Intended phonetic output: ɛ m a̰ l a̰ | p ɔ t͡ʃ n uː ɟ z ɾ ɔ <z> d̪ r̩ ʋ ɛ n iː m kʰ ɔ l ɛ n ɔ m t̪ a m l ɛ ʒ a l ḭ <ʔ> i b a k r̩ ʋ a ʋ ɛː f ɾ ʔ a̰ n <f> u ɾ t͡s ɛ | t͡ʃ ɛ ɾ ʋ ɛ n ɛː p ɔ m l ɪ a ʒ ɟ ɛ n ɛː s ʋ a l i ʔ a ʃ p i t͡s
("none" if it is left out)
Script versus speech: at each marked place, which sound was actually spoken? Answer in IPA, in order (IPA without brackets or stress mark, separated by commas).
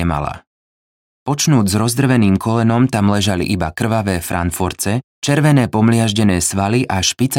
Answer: z, ʔ, f